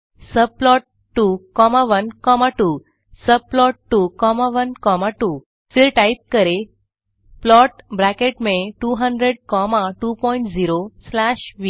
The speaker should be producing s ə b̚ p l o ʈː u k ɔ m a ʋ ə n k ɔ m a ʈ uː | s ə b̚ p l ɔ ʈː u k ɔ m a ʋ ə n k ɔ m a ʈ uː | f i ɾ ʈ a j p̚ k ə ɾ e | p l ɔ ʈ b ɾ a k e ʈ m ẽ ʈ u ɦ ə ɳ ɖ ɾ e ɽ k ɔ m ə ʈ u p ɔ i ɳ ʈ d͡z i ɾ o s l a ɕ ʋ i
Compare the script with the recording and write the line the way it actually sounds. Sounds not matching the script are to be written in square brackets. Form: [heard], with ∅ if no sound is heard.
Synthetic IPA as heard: s ə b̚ p l [ɔ] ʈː u k ɔ m a ʋ ə n k ɔ m a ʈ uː | s ə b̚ p l ɔ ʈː u k ɔ m a ʋ ə n k ɔ m a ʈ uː | f i ɾ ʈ a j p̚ k ə ɾ e | p l ɔ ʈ b ɾ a k e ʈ m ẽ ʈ u ɦ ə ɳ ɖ ɾ e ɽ k ɔ m [a] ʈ u p ɔ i ɳ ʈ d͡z i ɾ o s l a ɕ ʋ i